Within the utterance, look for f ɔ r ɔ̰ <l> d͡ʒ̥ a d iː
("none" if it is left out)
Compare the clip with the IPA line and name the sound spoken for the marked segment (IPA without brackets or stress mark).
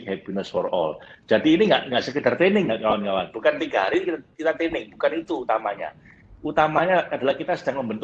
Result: l